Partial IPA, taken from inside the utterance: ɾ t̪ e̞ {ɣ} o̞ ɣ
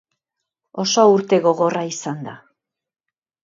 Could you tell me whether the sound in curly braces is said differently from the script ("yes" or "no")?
no